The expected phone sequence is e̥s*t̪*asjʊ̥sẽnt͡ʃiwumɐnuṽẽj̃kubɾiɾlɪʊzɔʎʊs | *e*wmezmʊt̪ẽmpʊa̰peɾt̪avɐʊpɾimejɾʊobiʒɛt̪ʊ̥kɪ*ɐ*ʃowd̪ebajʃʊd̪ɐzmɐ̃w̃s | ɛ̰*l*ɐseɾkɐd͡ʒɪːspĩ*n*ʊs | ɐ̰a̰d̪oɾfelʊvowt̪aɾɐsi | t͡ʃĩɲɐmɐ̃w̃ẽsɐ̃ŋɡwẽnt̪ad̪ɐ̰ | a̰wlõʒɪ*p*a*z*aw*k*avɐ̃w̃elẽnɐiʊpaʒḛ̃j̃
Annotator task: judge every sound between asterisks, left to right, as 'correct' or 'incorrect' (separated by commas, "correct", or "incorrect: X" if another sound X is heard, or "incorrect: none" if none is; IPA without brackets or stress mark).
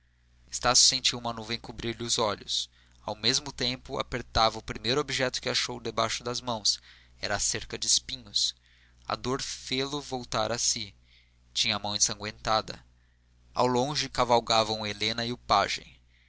correct, incorrect: a, incorrect: a, incorrect: ɾ, incorrect: ɲ, incorrect: k, incorrect: v, incorrect: ɡ